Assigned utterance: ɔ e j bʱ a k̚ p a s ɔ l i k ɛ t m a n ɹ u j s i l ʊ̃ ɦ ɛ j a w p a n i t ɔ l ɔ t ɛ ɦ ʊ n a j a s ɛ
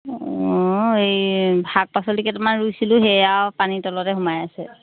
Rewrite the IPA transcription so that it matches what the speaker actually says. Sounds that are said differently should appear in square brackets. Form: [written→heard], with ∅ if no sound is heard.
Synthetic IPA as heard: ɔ e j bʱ a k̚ p a s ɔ l i k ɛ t m a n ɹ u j s i l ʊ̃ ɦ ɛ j a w p a n i t ɔ l ɔ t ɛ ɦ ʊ [n→m] a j a s ɛ

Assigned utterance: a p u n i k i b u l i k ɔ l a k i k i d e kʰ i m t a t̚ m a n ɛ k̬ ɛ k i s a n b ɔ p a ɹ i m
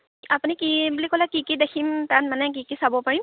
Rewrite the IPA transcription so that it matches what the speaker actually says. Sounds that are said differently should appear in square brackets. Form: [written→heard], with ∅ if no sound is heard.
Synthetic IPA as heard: a p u n i k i b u l i k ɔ l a k i k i d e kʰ i m t a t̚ m a n ɛ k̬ [ɛ→i] k i s a [n→∅] b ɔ p a ɹ i m

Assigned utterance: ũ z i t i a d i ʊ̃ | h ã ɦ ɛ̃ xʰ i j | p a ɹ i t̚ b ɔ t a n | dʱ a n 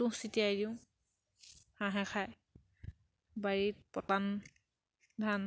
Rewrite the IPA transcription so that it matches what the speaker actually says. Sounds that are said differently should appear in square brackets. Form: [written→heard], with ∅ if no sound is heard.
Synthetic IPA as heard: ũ [z→s] i t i a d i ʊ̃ | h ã ɦ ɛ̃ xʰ [i→a] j | [p→b] a ɹ i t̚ [b→p] ɔ t a n | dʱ a n

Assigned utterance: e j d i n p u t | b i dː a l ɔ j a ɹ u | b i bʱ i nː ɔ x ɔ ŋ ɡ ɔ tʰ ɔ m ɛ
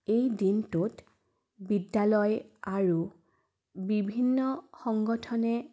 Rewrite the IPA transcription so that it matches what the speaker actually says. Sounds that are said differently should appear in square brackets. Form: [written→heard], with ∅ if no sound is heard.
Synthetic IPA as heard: e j d i n [p→t] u t | b i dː a l ɔ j a ɹ u | b i bʱ i nː ɔ x ɔ ŋ ɡ ɔ tʰ ɔ [m→n] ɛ

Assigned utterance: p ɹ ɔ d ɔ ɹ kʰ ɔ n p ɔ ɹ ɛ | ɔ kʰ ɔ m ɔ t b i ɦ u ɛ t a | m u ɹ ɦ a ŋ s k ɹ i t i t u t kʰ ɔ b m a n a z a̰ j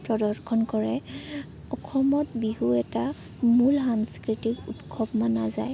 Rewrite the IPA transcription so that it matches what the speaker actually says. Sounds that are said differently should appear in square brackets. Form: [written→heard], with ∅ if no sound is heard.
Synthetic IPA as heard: p ɹ ɔ d ɔ ɹ kʰ ɔ n [p→k] ɔ ɹ ɛ | ɔ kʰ ɔ m ɔ t b i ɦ u ɛ t a | m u [ɹ→l] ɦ a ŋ s k ɹ i t i [t→k] u t kʰ ɔ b m a n a z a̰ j

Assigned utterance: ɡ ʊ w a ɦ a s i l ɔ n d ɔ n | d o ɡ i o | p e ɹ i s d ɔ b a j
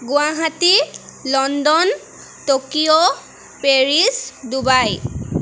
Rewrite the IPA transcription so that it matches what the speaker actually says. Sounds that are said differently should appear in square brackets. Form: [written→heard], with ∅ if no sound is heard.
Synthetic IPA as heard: ɡ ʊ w a ɦ a [s→t] i l ɔ n d ɔ n | [d→t] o [ɡ→k] i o | p e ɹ i s d [ɔ→u] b a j

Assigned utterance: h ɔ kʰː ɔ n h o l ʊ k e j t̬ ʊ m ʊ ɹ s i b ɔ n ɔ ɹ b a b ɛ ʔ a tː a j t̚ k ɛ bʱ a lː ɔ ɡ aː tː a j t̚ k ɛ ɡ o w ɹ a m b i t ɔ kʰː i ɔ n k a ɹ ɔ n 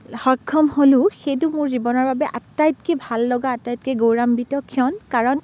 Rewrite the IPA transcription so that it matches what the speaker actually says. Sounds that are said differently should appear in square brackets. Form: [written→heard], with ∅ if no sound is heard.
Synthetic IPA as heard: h ɔ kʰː ɔ [n→m] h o l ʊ [k→x] e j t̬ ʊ m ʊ ɹ [s→z] i b ɔ n ɔ ɹ b a b ɛ ʔ a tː a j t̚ k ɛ bʱ a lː ɔ ɡ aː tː a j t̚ k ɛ ɡ o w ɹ a m b i t ɔ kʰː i ɔ n k a ɹ ɔ n

